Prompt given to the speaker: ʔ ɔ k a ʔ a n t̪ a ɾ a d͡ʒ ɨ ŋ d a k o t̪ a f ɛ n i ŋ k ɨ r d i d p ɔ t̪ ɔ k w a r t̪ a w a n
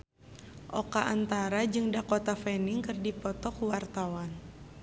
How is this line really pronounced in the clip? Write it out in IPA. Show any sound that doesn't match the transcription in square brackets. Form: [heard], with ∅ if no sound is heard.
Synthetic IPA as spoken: ʔ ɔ k a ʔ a n t̪ a ɾ a d͡ʒ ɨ ŋ d a k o t̪ a f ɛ n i ŋ k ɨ r d i [∅] p ɔ t̪ ɔ k w a r t̪ a w a n

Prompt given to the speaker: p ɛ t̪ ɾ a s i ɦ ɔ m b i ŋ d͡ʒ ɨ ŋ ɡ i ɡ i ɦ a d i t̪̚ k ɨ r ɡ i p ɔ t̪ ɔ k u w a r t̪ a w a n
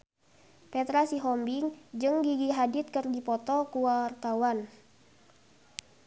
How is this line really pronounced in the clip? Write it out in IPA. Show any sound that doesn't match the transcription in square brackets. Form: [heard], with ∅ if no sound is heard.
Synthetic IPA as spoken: p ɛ t̪ ɾ a s i ɦ ɔ m b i ŋ d͡ʒ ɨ ŋ ɡ i ɡ i ɦ a d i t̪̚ k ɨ r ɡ i p ɔ t̪ ɔ k u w a r t̪ a w a n

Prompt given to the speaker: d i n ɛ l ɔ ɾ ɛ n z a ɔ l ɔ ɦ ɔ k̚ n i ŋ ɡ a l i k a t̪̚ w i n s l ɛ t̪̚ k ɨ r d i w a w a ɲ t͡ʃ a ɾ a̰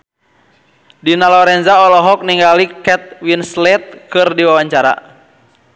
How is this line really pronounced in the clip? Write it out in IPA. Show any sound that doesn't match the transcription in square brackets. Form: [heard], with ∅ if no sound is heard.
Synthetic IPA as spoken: d i n [a] l ɔ ɾ ɛ n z a ɔ l ɔ ɦ ɔ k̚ n i ŋ ɡ a l i k [ɛ] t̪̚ w i n s l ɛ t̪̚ k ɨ r d i w a w a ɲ t͡ʃ a ɾ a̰

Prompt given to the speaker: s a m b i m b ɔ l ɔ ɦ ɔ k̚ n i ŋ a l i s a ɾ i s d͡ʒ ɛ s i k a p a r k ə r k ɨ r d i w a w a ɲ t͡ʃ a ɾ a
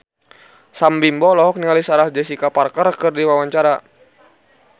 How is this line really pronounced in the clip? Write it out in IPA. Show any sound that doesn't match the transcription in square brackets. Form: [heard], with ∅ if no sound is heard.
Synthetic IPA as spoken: s a m b i m b ɔ l ɔ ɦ ɔ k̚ n i ŋ a l i s a ɾ [a] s d͡ʒ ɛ s i k a p a r k ə r k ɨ r d i w a w a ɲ t͡ʃ a ɾ a

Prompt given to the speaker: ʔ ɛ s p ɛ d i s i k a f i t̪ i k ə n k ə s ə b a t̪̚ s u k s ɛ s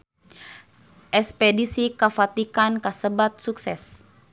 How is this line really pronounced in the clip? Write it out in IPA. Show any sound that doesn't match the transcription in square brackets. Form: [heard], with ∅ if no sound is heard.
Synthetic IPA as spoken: ʔ ɛ s p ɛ d i s i k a f [a] t̪ i k [a] n k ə s ə b a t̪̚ s u k s ɛ s

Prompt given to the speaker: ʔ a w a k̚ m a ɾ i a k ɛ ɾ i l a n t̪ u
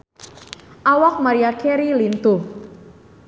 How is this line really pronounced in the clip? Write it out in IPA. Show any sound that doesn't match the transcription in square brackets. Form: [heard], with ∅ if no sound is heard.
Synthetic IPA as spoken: ʔ a w a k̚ m a ɾ i a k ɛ ɾ i l [i] n t̪ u

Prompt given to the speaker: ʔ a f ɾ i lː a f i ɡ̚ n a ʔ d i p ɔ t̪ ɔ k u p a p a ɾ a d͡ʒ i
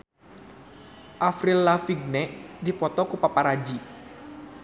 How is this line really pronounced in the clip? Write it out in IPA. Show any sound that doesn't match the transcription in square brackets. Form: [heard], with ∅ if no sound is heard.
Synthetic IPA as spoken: ʔ a f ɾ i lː a f i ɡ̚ n [ɛ] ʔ d i p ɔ t̪ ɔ k u p a p a ɾ a d͡ʒ i

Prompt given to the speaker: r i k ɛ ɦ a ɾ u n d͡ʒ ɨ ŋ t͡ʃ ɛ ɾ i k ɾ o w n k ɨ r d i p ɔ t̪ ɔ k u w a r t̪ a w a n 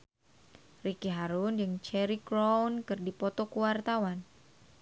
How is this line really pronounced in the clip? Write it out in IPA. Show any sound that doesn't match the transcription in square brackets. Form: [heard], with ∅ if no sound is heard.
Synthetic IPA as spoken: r i k [i] ɦ a ɾ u n d͡ʒ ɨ ŋ t͡ʃ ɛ ɾ i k ɾ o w n k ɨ r d i p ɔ t̪ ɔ k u w a r t̪ a w a n

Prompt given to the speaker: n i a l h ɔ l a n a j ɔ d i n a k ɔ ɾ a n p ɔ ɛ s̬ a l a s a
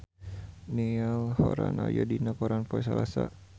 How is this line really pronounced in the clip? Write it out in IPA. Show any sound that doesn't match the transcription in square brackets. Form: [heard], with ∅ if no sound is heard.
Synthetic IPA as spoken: n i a l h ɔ [ɾ] a n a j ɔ d i n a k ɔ ɾ a n p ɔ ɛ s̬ a l a s a

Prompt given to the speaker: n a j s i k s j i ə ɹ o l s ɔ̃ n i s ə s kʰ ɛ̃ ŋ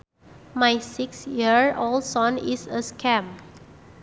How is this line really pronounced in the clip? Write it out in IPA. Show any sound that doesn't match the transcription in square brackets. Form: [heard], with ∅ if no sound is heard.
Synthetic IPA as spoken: [m] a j s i k s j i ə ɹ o l s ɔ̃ n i s ə s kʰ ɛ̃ [m]

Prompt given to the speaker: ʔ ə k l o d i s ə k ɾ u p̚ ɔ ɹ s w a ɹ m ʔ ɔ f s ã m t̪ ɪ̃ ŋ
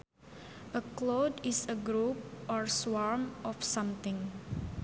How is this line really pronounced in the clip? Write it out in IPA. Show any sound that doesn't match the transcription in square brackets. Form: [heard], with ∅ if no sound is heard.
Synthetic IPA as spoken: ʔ ə k l o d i s ə [ɡ] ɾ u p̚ ɔ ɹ s w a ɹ m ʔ ɔ f s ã m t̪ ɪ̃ ŋ

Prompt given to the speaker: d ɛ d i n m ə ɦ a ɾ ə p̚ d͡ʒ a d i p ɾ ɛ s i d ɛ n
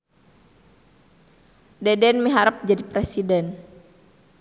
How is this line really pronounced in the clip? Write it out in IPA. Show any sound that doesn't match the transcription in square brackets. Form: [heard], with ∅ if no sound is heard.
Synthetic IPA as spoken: d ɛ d [ɛ] n m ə ɦ a ɾ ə p̚ d͡ʒ a d i p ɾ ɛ s i d ɛ n

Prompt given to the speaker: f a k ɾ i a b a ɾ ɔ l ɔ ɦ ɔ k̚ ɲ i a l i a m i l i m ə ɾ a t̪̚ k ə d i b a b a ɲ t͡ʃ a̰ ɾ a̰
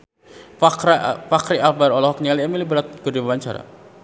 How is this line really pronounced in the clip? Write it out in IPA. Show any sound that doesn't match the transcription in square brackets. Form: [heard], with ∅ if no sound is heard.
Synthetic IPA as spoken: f a k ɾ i a b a ɾ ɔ l ɔ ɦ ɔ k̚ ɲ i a l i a m i l i [b] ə ɾ a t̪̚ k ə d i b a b a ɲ t͡ʃ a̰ ɾ a̰

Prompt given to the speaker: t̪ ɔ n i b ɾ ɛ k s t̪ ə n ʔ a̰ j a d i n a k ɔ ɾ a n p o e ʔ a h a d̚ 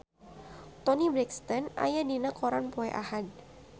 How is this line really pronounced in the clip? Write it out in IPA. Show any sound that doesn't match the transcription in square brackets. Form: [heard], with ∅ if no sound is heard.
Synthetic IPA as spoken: t̪ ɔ n i b ɾ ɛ k s t̪ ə n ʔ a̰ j a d i n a k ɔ ɾ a n p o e ʔ a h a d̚

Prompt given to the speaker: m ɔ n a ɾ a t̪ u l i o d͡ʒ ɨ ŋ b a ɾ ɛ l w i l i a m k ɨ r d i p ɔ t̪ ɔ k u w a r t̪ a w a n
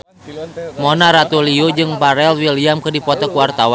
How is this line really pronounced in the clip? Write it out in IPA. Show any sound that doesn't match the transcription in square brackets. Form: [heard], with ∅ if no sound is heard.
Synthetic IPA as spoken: m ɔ n a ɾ a t̪ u l i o d͡ʒ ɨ ŋ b a ɾ ɛ l w i l i a m k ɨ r d i p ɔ t̪ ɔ k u w a r t̪ a w a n

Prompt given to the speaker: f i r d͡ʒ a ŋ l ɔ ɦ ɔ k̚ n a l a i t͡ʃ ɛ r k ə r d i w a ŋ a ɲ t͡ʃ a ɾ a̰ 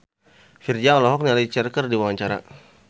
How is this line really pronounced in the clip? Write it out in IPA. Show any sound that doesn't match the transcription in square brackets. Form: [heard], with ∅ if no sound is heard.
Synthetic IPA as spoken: f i r d͡ʒ a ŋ l ɔ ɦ ɔ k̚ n a l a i t͡ʃ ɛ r k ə r d i w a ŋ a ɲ t͡ʃ a ɾ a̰

